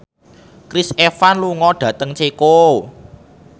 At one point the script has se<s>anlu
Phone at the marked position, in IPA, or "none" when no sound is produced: f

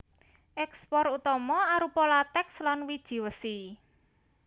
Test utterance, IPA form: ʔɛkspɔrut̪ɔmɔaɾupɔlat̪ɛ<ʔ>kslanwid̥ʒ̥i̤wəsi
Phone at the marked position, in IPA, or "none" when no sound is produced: none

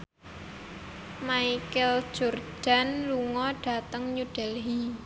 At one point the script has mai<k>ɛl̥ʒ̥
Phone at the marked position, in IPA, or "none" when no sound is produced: k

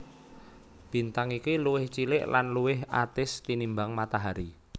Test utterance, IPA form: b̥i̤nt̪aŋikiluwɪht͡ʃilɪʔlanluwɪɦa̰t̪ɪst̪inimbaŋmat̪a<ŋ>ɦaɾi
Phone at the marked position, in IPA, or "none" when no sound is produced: none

